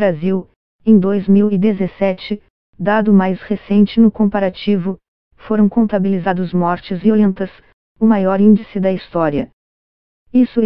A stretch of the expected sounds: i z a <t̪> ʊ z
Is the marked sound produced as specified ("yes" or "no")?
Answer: no